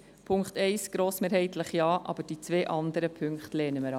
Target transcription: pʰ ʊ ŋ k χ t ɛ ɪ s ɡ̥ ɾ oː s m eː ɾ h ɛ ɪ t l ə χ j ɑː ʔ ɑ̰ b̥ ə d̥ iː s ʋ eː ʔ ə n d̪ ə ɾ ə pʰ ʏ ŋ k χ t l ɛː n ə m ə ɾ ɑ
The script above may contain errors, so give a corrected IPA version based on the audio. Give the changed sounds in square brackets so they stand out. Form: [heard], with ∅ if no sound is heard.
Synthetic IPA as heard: pʰ ʊ ŋ k χ t ɛ ɪ s ɡ̥ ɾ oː s m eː ɾ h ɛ ɪ t l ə χ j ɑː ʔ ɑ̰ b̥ ə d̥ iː [t͡s] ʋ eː ʔ [ɑ] n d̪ ə ɾ ə pʰ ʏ ŋ k χ t l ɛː n ə m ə ɾ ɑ